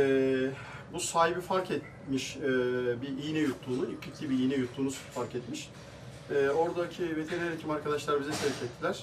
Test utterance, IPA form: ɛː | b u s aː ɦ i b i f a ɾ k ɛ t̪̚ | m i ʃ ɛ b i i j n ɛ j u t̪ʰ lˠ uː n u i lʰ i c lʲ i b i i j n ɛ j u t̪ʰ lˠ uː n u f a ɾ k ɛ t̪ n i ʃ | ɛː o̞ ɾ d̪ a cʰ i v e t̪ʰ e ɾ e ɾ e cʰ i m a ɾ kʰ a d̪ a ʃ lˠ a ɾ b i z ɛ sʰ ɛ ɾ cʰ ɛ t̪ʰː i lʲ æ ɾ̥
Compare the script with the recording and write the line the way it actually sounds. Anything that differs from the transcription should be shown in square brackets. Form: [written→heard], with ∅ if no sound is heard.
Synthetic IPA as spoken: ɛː | b u s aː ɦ i b i f a ɾ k ɛ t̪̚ | m i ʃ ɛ b i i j n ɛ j u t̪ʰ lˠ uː n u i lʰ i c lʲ i b i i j n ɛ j u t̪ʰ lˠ uː n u f a ɾ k ɛ t̪ [n→m] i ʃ | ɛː o̞ ɾ d̪ a cʰ i v e t̪ʰ e ɾ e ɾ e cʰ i m a ɾ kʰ a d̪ a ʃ lˠ a ɾ b i z ɛ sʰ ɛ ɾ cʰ ɛ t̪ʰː i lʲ æ ɾ̥